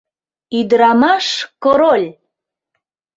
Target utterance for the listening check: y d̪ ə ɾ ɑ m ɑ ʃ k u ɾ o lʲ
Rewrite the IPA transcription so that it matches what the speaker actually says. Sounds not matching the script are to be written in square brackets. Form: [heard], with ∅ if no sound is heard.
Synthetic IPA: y d̪ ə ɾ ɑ m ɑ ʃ k [o] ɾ o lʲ